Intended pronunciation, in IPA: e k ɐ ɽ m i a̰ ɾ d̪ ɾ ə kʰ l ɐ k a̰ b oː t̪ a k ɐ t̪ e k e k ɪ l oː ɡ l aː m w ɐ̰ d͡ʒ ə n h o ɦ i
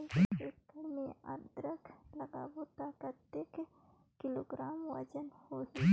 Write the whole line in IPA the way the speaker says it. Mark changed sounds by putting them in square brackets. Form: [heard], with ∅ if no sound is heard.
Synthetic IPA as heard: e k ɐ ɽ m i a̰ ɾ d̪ ɾ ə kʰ l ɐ [ɡ] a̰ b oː t̪ a k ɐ t̪ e k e k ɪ l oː ɡ [ɾ] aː m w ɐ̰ d͡ʒ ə n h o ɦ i